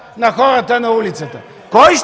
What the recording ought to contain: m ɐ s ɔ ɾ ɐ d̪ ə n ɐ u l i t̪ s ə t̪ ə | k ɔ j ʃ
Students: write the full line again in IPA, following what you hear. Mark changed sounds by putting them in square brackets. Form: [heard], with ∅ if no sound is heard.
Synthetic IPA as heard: [n] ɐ [x] ɔ ɾ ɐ [t̪] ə n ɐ u l i t̪ s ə t̪ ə | k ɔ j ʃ